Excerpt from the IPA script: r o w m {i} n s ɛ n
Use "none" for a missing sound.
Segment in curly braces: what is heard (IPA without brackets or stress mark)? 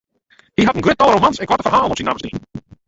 a